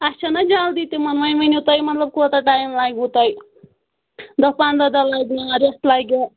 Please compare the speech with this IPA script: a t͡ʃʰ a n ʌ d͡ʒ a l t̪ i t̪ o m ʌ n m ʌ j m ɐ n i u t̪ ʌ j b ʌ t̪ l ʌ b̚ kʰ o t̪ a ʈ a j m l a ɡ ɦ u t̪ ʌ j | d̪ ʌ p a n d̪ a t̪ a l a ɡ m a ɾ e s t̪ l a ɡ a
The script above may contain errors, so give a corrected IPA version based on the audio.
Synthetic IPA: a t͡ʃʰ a n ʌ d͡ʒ a l d̪ i t̪ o m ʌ n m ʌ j m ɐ n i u t̪ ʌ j m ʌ t̪ l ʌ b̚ k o t̪ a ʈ a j m l a ɡ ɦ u t̪ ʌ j | d̪ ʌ p a n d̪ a d̪ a l a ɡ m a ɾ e s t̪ l a ɡ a